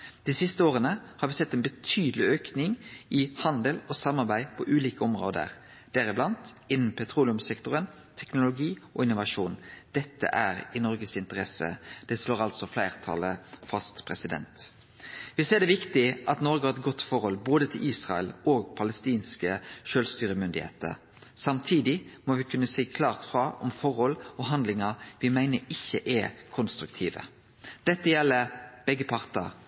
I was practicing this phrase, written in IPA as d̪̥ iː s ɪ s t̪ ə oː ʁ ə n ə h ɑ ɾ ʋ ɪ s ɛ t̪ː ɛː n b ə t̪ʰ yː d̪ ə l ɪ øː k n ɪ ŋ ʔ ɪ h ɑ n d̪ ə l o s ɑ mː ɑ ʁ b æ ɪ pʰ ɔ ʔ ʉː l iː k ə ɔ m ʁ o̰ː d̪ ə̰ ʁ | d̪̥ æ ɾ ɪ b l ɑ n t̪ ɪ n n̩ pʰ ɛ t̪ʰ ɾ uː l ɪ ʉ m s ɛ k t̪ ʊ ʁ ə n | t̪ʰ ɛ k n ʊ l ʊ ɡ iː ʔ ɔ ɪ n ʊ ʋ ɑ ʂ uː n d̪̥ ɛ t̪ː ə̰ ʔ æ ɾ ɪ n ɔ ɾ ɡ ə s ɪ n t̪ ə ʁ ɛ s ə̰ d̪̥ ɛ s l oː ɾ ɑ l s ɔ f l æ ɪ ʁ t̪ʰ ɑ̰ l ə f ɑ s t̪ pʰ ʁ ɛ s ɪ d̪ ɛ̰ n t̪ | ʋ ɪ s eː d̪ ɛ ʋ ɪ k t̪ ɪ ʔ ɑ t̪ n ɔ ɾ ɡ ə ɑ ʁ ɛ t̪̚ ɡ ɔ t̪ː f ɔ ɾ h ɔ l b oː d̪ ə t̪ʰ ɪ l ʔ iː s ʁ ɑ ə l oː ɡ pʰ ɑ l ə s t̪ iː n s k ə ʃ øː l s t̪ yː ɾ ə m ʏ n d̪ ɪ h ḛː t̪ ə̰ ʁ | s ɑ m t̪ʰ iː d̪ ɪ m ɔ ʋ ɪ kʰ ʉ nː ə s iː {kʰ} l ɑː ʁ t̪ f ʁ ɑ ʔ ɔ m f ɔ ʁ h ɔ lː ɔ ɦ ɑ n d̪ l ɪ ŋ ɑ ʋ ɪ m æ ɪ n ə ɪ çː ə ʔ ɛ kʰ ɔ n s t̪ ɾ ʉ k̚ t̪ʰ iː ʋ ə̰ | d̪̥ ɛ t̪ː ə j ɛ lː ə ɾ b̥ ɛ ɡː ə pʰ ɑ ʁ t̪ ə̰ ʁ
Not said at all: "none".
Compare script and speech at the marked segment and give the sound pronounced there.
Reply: kʰ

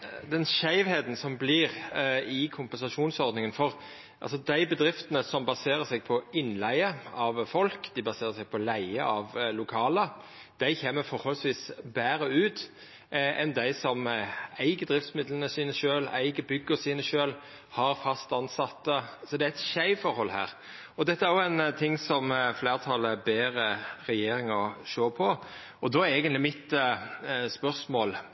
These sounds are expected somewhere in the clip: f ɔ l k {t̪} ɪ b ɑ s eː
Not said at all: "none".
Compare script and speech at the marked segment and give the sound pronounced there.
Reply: d̪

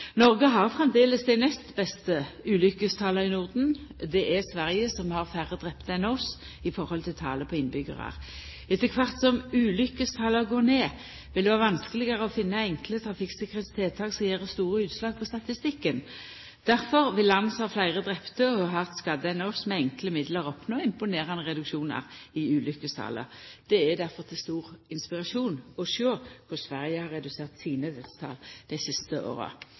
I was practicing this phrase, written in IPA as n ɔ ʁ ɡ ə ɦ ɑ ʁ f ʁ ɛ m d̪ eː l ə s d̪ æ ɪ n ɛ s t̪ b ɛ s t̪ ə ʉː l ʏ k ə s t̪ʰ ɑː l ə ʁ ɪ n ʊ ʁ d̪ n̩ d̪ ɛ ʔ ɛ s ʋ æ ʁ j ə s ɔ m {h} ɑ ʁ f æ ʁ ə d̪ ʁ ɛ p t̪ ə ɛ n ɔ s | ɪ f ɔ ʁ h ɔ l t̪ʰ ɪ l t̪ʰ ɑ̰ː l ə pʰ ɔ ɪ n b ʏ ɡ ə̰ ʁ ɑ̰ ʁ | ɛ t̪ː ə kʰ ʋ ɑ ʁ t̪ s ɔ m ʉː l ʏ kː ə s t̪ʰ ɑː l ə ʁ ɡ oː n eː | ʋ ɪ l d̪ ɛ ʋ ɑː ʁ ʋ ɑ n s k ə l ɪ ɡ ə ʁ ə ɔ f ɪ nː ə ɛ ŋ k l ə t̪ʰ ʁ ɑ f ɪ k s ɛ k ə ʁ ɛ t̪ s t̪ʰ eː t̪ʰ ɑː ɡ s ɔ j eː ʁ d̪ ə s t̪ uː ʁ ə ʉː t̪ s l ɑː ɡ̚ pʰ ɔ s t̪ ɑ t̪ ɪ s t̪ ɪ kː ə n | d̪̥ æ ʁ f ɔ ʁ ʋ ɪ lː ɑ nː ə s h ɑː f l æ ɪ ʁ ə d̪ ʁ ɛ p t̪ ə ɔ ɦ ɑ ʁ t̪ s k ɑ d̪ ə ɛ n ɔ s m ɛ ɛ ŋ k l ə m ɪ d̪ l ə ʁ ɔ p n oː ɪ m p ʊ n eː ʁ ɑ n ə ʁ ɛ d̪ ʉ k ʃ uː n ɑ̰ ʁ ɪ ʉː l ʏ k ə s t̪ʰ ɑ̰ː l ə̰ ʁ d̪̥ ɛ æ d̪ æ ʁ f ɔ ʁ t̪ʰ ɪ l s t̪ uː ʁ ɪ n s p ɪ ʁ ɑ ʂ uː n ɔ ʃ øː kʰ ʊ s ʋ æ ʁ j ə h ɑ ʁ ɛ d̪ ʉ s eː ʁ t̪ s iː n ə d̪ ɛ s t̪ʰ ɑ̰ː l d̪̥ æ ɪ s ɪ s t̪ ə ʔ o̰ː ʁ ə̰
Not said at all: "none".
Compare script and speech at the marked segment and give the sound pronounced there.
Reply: h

